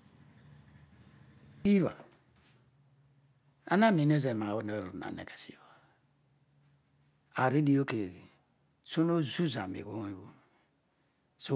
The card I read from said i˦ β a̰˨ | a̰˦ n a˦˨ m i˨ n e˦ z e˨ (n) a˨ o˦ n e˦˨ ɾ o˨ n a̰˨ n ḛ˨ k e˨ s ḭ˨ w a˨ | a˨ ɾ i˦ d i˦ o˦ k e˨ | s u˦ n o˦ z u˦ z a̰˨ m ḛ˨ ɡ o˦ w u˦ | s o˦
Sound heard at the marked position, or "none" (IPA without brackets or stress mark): m